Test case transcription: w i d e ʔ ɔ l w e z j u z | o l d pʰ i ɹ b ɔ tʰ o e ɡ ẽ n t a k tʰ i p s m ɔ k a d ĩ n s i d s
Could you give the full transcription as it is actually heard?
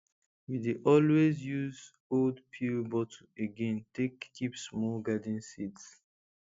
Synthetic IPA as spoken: w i d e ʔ ɔ l w e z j u z | o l d pʰ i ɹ b ɔ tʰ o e ɡ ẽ n t e k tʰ i p s m ɔ ɡ a d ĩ n s i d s